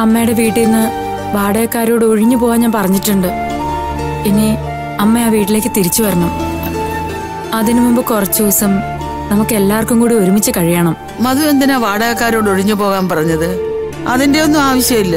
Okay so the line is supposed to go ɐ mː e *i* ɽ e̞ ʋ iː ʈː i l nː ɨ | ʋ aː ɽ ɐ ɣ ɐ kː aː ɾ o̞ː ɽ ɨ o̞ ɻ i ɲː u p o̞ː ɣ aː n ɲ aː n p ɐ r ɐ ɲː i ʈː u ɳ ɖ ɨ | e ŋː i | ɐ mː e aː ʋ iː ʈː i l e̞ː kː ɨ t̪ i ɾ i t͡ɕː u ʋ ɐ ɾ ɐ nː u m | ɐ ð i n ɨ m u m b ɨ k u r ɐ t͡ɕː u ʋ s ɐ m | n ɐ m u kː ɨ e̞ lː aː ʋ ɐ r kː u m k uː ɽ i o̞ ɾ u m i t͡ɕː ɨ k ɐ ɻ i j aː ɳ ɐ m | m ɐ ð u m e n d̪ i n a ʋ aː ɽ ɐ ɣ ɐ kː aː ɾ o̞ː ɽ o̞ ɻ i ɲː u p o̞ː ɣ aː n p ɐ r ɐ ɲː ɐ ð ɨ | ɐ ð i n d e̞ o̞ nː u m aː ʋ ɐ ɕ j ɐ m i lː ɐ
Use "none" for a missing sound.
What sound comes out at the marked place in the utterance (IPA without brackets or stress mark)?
j